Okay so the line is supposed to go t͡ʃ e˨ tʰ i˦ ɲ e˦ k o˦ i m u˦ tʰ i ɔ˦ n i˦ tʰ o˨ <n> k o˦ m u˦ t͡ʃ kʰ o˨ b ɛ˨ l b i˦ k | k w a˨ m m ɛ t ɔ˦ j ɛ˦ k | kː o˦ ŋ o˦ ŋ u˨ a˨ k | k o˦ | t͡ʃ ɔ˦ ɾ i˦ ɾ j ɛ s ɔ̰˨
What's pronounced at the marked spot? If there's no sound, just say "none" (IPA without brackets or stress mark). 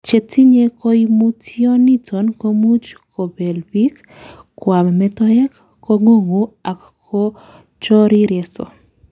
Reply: n